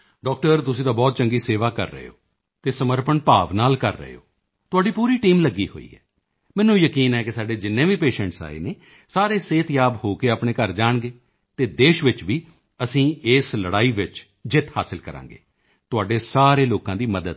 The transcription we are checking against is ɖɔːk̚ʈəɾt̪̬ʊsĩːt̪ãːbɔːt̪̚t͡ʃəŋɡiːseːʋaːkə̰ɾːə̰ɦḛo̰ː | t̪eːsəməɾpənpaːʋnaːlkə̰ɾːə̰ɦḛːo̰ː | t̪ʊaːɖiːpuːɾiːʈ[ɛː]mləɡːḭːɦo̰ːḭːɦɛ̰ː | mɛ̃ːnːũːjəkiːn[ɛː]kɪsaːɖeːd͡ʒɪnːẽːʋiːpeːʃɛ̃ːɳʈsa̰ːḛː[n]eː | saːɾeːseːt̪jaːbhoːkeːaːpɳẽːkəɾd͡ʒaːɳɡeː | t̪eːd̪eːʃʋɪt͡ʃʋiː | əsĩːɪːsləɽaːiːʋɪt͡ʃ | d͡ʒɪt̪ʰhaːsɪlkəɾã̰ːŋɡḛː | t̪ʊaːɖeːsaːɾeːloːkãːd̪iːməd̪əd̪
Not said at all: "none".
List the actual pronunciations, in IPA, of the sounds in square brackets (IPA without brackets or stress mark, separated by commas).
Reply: iː, ɛː, n